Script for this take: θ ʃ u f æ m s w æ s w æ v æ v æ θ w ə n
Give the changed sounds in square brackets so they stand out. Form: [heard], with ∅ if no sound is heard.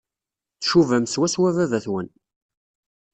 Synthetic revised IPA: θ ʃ u [v] æ m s w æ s w æ v æ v æ θ w ə n